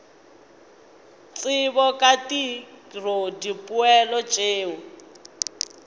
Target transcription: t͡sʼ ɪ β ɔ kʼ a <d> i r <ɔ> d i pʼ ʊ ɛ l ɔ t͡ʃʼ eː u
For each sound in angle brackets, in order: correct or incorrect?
incorrect: t, incorrect: o

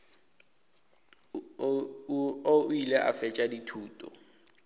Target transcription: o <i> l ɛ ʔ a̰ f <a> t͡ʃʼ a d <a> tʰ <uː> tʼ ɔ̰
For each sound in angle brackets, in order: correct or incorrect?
correct, incorrect: ɛ, incorrect: i, correct

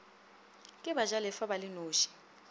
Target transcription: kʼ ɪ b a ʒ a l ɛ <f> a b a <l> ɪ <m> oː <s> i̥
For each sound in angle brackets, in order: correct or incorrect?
correct, correct, incorrect: n, incorrect: ʃ

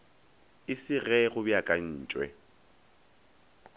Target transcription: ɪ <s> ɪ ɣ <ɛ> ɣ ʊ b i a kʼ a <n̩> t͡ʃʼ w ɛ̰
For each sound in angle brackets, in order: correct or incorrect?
correct, correct, incorrect: n̩ː

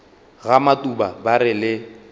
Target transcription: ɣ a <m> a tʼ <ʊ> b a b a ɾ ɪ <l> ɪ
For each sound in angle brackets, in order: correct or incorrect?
correct, incorrect: u, correct

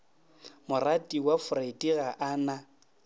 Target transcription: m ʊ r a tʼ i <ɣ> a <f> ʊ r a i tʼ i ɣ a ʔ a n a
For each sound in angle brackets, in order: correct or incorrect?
incorrect: w, correct

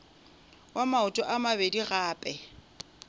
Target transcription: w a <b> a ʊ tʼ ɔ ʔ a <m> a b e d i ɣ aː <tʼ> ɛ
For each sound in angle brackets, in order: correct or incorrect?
incorrect: m, correct, incorrect: pʼ

